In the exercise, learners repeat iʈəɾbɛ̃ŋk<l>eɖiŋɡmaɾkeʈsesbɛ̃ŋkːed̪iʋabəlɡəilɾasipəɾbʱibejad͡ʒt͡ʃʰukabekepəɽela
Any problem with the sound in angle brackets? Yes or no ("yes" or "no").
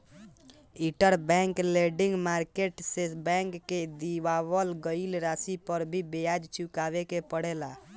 no